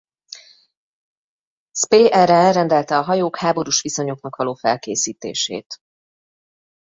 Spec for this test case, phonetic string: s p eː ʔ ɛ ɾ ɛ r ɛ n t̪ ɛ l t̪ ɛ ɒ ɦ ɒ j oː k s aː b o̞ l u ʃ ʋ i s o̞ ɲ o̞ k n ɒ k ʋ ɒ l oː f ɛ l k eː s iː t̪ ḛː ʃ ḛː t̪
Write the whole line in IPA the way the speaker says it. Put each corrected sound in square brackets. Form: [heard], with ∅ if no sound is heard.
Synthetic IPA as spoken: s p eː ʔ ɛ ɾ ɛ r ɛ n [d̪] ɛ l t̪ ɛ ɒ ɦ ɒ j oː k [h] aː b o̞ [ɾ] u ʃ ʋ i s o̞ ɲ o̞ k n ɒ k ʋ ɒ l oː f ɛ l k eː s iː t̪ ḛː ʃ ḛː t̪